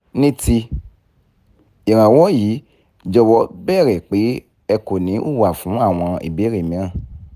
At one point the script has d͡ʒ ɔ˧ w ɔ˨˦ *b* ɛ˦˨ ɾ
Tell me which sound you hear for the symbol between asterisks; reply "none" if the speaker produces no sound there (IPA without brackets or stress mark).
b